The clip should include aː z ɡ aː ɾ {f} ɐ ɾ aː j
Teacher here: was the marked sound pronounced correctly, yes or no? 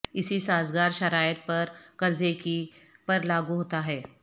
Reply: no